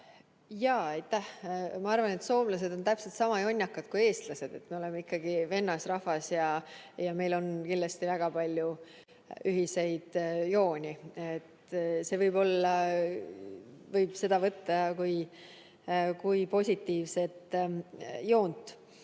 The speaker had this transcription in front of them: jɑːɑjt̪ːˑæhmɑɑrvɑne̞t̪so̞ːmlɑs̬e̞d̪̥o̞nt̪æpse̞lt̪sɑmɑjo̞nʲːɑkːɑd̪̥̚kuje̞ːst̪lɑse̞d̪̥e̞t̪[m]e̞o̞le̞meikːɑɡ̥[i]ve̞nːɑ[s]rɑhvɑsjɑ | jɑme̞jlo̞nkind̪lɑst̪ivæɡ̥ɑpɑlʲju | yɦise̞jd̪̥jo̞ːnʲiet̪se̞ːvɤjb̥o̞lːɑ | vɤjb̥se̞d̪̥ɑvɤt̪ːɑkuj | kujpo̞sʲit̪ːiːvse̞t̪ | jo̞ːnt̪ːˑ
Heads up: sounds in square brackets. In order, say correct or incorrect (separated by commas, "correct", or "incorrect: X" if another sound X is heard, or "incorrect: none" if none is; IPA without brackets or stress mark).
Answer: correct, correct, correct